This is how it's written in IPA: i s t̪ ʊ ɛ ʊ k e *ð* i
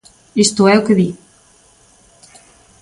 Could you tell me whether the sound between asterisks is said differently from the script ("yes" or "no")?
no